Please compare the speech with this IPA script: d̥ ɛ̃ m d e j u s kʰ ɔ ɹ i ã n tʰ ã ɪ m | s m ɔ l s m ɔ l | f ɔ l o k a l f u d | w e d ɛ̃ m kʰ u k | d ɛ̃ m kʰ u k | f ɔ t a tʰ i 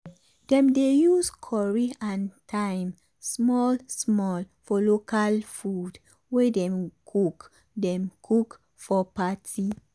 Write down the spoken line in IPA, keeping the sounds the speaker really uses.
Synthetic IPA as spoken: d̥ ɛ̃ m d e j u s kʰ ɔ ɹ i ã n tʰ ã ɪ m | s m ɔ l s m ɔ l | f ɔ l o k a l f u d | w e d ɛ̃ m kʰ u k | d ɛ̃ m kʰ u k | f ɔ p a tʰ i

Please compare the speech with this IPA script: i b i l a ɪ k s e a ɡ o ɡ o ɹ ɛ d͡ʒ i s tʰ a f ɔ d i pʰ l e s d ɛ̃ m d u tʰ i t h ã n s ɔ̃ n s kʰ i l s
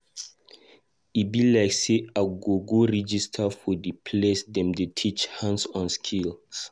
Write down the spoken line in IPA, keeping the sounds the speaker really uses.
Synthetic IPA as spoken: i b i l a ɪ k s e a ɡ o ɡ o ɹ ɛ d͡ʒ i s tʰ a f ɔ d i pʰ l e s d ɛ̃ m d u tʰ i t͡ʃ h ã n s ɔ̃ n s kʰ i l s

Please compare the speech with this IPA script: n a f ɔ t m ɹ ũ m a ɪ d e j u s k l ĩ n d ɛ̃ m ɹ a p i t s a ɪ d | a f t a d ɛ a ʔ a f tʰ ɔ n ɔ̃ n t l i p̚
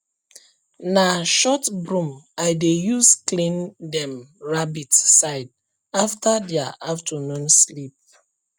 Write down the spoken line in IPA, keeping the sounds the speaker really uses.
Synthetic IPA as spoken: n a ʃ ɔ t b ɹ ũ m a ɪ d e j u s k l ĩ n d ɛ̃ m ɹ a b i t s a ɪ d | a f t a d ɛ a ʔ a f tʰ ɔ n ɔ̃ n s l i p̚

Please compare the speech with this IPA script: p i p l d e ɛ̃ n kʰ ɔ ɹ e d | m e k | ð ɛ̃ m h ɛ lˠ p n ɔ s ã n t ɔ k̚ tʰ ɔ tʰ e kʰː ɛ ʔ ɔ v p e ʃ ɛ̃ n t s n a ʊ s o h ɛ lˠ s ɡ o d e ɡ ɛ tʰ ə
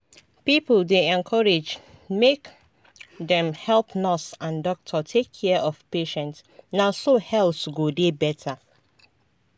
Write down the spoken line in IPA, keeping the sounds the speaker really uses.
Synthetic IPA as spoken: p i p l d e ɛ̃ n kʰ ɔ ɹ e d͡ʒ | m e k | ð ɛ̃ m h ɛ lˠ p n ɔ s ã n d ɔ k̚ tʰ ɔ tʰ e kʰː ɛ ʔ ɔ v p e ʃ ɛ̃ n t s n a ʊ s o h ɛ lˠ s ɡ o d e b ɛ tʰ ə

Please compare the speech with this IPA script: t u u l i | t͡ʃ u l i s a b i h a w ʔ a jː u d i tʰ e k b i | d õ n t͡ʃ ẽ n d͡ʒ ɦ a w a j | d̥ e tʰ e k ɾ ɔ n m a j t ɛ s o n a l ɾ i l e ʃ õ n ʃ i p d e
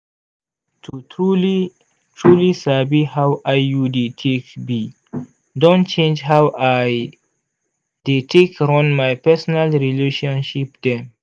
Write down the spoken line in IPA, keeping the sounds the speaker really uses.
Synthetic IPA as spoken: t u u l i | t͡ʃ u l i s a b i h a w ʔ a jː u d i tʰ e k b i | d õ n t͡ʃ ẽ n d͡ʒ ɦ a w a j | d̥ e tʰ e k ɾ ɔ n m a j p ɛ s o n a l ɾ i l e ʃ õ n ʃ i p d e

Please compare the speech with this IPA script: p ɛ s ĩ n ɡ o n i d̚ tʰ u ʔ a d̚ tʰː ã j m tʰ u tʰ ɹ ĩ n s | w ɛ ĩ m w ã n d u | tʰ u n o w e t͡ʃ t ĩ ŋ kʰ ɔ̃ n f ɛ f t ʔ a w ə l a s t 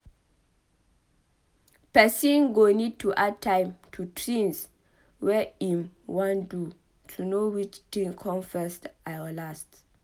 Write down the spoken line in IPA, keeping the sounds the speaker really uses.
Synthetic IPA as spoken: p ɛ s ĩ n ɡ o n i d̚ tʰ u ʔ a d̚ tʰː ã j m tʰ u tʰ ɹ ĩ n s | w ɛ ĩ m w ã n d u | tʰ u n o w i t͡ʃ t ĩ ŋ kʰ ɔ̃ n f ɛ s t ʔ a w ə l a s t

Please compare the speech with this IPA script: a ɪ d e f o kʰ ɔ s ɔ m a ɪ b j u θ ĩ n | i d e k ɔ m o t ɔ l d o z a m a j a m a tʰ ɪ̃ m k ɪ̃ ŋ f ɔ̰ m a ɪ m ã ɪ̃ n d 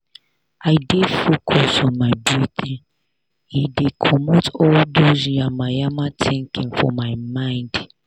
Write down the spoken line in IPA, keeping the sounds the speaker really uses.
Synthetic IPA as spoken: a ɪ d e f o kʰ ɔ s ɔ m a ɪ b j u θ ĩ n | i d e kʰ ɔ m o t ɔ l d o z a m a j a m a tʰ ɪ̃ ŋ k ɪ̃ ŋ f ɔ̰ m a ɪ m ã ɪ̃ n d

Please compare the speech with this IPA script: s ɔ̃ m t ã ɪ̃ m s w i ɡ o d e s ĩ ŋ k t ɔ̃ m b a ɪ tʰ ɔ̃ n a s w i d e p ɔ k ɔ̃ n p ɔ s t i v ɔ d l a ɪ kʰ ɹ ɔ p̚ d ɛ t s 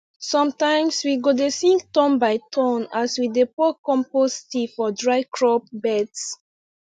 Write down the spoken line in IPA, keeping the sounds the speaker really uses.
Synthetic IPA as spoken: s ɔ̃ m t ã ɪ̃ m s w i ɡ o d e s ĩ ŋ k t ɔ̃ m b a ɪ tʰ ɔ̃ n a s w i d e p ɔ k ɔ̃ m p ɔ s t i f ɔ d ɹ a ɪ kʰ ɹ ɔ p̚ b ɛ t s

